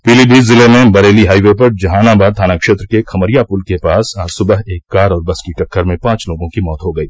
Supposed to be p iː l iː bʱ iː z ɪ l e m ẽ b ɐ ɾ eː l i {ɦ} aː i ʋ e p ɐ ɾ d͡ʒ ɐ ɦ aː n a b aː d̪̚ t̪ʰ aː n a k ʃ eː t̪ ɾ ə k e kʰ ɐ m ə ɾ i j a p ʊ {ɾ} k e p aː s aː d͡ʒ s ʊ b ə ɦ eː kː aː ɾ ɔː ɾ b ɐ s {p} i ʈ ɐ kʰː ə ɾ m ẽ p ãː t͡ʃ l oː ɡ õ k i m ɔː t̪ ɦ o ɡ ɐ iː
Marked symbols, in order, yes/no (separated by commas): yes, no, no